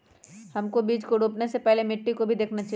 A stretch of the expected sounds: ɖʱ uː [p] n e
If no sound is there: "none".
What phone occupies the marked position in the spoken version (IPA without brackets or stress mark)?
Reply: p